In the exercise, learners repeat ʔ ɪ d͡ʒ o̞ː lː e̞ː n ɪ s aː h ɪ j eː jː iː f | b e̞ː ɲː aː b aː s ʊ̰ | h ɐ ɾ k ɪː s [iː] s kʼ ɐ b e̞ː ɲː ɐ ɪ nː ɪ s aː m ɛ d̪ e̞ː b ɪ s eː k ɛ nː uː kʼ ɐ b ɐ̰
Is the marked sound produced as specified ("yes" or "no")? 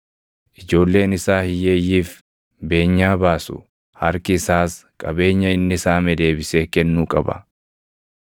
no